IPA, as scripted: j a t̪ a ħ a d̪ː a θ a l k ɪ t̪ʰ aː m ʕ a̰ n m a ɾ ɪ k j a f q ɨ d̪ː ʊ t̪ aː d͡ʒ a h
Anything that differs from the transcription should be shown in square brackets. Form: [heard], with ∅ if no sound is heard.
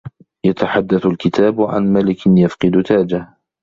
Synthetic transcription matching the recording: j a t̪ a ħ a d̪ː a θ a l k ɪ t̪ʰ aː [b] ʕ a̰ n m a [l] ɪ k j a f q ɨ [d̪] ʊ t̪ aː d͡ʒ a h